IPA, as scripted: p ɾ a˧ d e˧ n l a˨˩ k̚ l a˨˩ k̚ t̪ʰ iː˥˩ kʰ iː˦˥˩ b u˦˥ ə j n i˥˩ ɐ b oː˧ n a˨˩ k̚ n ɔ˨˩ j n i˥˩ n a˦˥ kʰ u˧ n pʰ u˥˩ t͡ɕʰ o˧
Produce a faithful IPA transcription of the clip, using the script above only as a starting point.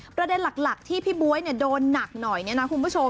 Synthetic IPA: p ɾ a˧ d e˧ n l a˨˩ k̚ l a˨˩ k̚ t̪ʰ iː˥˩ pʰ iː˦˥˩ b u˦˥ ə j n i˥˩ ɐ d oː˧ nː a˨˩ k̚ n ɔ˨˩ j n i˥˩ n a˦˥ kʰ u˧ n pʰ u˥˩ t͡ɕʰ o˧